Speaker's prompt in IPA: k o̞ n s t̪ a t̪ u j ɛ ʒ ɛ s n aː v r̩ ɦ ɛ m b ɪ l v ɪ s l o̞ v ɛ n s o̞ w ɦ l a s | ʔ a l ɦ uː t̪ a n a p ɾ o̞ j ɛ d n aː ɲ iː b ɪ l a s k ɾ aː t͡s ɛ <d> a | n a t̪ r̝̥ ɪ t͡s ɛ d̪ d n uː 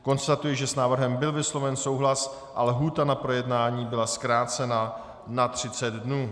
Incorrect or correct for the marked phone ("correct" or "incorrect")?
incorrect